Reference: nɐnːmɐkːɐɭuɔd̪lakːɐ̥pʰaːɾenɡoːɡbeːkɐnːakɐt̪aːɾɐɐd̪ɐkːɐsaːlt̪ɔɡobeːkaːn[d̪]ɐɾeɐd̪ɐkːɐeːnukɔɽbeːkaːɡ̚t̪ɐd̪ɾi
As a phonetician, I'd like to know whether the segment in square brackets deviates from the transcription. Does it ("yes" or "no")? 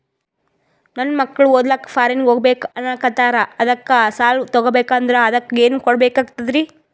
no